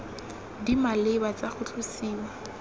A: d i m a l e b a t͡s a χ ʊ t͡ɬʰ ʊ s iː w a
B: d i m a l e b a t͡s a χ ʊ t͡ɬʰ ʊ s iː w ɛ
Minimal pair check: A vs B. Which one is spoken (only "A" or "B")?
A